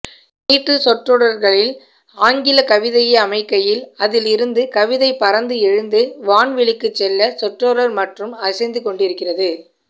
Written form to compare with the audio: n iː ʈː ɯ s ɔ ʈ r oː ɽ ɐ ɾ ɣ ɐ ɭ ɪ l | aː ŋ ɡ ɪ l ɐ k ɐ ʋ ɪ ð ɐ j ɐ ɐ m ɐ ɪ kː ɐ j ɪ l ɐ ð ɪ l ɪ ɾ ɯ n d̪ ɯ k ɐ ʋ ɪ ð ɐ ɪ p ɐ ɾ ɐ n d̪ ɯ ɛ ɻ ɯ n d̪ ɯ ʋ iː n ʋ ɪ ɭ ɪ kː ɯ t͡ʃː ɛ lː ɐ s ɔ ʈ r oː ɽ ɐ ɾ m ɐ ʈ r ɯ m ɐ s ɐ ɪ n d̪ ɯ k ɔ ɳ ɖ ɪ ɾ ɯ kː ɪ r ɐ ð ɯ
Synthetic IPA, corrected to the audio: n iː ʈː ɯ s ɔ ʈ r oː ɽ ɐ ɾ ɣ ɐ ɭ ɪ l | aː ŋ ɡ ɪ l ɐ k ɐ ʋ ɪ ð ɐ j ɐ ɐ m ɐ ɪ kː ɐ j ɪ l ɐ ð ɪ l ɪ ɾ ɯ n d̪ ɯ k ɐ ʋ ɪ ð ɐ ɪ p ɐ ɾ ɐ n d̪ ɯ ɛ ɻ ɯ n d̪ ɯ ʋ aː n ʋ ɪ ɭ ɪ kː ɯ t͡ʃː ɛ lː ɐ s ɔ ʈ r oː ɽ ɐ ɾ m ɐ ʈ r ɯ m ɐ s ɐ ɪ n d̪ ɯ k ɔ ɳ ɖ ɪ ɾ ɯ kː ɪ r ɐ ð ɯ